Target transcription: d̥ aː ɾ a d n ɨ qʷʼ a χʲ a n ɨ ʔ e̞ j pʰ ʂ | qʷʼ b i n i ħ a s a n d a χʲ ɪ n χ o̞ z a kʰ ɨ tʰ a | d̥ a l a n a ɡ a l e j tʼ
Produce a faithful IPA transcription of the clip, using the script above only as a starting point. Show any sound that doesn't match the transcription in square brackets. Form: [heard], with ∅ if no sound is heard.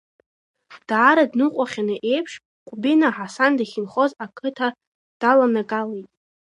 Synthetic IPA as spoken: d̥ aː ɾ a d n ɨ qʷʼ a χʲ a n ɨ ʔ e̞ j pʰ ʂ | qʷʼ b i n [a] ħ a s a n d a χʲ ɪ n χ o̞ z a kʰ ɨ tʰ a | d̥ a l a n a ɡ a l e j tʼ